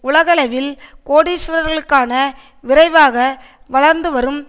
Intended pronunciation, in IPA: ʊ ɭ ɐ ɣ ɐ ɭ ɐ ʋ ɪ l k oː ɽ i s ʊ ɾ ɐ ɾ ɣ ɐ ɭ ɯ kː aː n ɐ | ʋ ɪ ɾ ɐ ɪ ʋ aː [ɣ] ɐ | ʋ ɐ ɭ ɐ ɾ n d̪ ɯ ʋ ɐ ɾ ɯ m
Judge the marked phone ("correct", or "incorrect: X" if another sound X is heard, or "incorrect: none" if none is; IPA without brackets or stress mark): correct